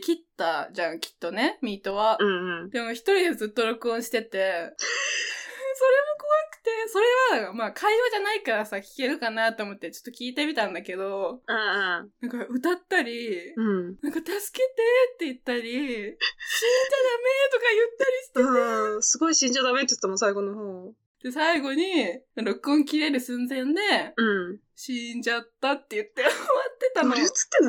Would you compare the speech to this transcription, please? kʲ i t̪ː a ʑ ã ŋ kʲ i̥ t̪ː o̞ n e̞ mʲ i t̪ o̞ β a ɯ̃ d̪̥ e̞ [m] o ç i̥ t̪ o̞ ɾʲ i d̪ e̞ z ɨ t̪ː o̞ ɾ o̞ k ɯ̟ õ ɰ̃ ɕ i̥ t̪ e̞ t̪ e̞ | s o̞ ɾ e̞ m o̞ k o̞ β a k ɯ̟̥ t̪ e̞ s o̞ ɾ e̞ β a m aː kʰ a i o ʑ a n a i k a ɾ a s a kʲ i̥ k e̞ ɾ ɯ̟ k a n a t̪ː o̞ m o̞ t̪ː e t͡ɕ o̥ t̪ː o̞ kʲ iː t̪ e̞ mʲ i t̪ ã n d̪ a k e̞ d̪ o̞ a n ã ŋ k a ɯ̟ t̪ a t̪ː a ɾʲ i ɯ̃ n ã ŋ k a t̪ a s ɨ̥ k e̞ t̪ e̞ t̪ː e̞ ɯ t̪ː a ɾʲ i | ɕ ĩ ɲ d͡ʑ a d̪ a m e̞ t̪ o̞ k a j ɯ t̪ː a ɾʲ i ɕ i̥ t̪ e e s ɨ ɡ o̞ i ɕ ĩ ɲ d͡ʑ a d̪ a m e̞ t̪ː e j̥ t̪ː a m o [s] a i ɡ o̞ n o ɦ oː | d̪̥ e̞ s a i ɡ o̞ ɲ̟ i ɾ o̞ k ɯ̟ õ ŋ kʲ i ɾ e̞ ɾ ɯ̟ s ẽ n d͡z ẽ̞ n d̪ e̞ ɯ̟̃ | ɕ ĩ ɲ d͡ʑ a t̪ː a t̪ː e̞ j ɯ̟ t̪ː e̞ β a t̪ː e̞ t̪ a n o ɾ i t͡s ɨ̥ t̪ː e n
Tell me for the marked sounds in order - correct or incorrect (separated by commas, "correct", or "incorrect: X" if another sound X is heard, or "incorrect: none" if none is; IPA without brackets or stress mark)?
correct, correct